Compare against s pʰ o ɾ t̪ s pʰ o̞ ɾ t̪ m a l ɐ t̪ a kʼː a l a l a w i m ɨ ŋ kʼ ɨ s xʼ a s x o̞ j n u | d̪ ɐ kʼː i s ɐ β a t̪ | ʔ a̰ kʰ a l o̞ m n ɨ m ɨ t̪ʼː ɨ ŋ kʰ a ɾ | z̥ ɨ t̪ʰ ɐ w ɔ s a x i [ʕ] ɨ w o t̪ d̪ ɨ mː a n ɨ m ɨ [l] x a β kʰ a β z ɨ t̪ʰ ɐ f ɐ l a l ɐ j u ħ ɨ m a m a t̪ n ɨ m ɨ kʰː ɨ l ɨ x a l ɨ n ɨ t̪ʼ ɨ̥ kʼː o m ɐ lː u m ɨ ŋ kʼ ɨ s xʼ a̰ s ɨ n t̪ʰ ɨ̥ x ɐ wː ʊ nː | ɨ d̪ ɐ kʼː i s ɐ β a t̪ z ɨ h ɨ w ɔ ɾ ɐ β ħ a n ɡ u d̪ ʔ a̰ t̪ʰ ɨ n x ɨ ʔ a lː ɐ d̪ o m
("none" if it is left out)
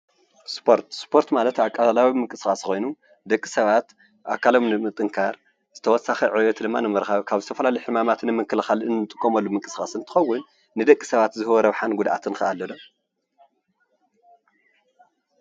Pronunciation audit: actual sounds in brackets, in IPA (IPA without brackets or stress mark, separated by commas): ʕ, ɾ